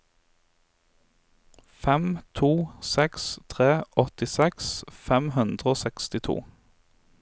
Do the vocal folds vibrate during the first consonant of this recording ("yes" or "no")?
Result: no